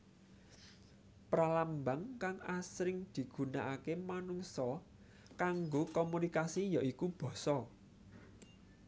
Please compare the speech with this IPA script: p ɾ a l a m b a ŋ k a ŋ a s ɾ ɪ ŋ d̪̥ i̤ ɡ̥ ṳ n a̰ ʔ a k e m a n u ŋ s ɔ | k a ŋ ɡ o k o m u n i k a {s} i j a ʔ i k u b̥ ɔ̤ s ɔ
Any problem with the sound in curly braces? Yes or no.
no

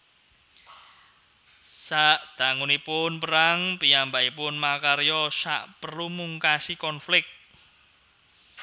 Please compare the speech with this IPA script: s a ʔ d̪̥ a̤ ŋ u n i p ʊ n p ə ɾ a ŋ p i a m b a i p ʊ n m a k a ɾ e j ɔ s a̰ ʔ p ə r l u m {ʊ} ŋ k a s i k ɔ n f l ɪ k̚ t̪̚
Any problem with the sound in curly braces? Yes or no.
yes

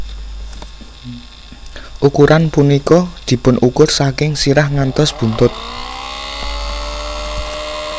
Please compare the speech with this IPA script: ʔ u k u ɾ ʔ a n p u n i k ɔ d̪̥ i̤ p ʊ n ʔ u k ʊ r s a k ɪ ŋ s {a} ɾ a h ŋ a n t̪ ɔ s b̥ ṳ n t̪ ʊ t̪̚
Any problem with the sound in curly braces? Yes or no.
yes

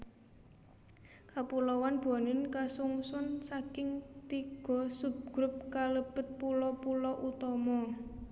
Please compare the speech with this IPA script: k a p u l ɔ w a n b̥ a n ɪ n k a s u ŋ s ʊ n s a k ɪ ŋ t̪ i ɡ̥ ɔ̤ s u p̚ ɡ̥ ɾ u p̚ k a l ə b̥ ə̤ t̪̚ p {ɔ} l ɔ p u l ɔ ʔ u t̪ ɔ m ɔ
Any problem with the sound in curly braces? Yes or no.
yes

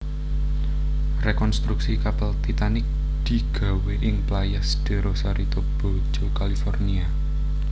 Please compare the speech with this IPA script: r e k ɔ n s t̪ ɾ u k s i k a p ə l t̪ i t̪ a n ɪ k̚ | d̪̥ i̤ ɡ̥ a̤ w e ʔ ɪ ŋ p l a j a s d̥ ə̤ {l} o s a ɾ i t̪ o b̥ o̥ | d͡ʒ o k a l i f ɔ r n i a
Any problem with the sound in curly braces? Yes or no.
yes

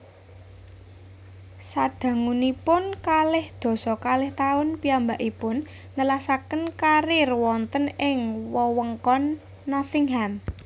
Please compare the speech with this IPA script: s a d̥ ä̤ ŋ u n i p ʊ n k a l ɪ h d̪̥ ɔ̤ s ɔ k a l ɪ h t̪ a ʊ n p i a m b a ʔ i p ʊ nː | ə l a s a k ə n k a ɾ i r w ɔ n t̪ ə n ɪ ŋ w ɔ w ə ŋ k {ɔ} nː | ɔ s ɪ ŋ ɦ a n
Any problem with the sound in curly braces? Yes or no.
no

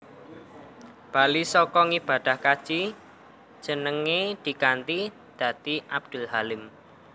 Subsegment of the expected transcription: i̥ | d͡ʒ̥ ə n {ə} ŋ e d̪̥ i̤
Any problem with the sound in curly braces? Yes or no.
no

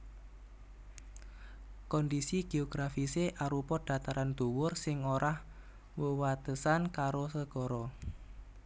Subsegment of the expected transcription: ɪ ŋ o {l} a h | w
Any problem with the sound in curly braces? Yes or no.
yes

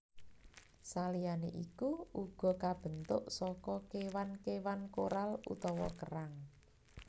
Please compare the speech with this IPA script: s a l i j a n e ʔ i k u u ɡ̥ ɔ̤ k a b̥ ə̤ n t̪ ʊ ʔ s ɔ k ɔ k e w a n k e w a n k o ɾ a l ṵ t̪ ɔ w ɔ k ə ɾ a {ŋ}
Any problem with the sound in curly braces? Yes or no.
no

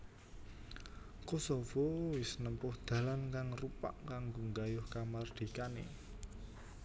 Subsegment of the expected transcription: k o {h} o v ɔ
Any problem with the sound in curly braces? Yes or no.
yes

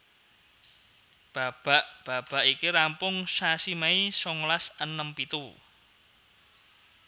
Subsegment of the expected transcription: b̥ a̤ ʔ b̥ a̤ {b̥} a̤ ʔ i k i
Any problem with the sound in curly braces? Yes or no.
no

